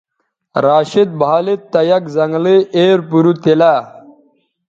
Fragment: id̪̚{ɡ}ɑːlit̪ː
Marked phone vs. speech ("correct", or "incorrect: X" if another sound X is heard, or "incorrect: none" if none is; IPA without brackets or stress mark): incorrect: b